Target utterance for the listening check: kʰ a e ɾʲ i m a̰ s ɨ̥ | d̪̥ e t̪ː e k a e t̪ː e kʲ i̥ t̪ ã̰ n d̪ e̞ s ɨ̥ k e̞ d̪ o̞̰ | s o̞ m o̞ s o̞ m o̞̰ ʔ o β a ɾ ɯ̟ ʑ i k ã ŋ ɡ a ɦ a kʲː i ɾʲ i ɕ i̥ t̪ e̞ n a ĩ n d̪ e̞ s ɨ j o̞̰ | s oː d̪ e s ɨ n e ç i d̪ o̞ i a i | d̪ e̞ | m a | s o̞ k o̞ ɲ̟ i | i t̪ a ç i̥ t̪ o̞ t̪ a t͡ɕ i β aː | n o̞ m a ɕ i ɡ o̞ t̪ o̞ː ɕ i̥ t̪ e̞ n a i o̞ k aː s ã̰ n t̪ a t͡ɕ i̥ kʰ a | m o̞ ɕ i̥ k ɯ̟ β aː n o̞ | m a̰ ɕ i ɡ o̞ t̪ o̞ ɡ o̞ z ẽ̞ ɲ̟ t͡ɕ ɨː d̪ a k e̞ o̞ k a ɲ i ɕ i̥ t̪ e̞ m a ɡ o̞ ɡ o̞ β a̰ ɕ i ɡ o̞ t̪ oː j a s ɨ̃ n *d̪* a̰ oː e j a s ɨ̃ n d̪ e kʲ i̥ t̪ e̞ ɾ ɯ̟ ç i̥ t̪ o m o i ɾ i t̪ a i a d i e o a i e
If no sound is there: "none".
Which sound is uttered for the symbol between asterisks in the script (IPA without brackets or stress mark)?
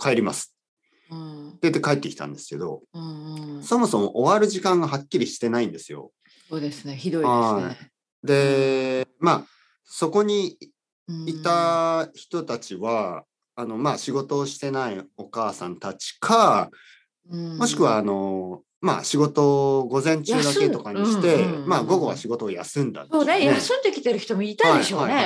d̪